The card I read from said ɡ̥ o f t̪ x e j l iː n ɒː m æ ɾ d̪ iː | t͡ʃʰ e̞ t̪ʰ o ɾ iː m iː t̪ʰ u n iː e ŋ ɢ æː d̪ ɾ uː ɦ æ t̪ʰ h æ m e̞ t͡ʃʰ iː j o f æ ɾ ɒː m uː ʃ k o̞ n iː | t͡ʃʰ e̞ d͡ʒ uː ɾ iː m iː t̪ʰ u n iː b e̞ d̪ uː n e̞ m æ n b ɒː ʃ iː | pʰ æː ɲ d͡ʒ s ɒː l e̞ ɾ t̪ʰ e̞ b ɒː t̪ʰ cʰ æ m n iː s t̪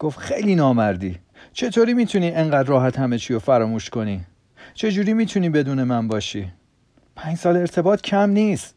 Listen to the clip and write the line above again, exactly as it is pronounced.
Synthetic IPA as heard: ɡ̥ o f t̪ x e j l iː n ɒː m æ ɾ d̪ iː | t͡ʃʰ e̞ t̪ʰ o ɾ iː m iː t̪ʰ u n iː e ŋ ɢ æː d̪ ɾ ɒː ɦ æ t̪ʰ h æ m e̞ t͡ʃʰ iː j o f æ ɾ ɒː m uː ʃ k o̞ n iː | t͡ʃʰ e̞ d͡ʒ uː ɾ iː m iː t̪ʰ u n iː b e̞ d̪ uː n e̞ m æ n b ɒː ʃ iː | pʰ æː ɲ d͡ʒ s ɒː l e̞ ɾ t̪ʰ e̞ b ɒː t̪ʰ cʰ æ m n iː s t̪